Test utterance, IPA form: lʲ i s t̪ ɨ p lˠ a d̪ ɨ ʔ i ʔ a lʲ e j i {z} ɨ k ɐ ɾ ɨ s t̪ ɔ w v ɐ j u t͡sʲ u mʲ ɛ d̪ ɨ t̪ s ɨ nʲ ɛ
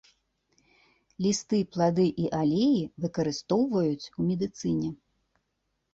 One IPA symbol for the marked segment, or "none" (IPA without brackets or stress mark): v